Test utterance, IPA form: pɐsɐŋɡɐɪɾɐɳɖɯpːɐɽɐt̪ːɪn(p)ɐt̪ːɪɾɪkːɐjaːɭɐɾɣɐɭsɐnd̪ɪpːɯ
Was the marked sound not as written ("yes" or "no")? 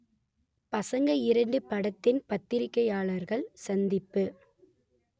no